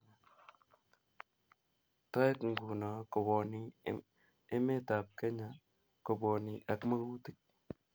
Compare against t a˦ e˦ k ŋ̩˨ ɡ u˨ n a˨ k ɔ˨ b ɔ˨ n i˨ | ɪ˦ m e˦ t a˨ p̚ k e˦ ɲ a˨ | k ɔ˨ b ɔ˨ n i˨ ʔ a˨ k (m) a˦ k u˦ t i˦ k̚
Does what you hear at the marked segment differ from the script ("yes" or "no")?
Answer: no